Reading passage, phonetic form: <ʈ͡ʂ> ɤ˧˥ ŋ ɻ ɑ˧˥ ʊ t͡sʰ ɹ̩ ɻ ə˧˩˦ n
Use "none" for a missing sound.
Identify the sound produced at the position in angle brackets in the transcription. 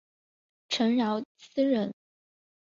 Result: ʈ͡ʂʰ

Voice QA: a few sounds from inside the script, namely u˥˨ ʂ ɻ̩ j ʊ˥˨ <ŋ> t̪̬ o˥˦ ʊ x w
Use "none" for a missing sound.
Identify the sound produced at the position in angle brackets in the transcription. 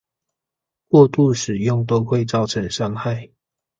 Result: ŋ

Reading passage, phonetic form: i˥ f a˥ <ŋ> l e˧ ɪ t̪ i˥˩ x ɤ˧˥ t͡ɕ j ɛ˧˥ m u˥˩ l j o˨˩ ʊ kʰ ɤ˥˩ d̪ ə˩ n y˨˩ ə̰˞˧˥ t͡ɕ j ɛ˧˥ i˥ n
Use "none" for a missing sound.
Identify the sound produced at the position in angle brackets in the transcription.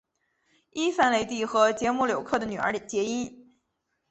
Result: n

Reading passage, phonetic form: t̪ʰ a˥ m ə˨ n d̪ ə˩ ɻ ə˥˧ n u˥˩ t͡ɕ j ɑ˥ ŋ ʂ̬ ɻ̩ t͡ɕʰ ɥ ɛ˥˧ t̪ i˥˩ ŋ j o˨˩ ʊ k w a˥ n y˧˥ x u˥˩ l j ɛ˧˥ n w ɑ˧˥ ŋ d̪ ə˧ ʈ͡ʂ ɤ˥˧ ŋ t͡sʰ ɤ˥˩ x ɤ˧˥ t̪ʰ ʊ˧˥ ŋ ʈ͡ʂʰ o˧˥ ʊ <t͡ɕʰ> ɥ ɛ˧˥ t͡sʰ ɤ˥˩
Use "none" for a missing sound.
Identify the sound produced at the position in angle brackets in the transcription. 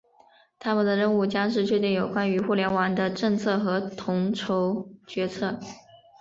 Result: t͡ɕ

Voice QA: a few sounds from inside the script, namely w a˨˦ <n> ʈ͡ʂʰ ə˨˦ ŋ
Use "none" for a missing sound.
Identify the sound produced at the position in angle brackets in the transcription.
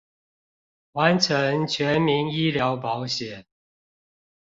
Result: n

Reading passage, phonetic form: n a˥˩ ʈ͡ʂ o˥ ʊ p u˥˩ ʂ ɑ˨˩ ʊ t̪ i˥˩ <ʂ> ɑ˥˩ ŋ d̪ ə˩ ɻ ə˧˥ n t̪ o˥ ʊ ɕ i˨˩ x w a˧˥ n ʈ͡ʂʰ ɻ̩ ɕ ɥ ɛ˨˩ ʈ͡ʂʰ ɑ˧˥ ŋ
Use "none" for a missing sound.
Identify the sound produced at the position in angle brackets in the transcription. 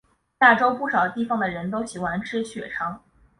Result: f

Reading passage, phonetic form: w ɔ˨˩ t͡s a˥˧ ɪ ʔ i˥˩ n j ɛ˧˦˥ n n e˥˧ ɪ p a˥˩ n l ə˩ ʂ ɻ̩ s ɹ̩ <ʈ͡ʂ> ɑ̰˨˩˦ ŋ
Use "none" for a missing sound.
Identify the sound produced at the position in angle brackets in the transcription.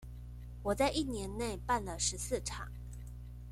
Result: ʈ͡ʂʰ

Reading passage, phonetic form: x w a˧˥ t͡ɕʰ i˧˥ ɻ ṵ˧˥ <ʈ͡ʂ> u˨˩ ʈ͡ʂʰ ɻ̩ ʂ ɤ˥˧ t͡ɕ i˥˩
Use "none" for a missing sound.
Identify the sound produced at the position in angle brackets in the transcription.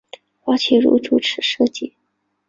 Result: ʈ͡ʂ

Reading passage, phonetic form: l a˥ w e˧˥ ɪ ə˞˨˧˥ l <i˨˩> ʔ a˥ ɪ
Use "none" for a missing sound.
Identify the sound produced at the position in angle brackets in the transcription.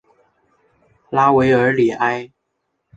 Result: i˨˩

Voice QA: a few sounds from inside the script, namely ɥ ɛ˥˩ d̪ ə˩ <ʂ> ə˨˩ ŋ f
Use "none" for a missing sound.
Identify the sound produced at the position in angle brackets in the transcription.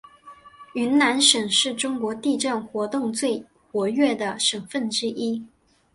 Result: ʂ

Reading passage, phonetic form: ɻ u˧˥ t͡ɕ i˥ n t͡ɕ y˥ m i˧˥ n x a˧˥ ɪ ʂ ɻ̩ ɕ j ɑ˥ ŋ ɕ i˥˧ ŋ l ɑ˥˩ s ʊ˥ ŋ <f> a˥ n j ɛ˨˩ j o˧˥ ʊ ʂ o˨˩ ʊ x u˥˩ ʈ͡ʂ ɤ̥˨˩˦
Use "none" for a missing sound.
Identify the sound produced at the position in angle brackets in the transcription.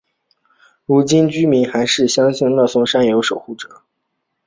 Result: ʂ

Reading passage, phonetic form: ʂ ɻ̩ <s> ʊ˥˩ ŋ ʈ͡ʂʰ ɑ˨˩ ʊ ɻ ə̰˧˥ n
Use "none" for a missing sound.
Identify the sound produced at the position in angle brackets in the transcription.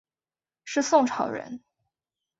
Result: s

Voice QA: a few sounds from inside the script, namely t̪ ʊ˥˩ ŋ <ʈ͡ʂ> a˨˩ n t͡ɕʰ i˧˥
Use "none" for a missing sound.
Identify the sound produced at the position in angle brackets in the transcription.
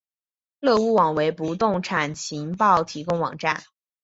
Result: ʈ͡ʂʰ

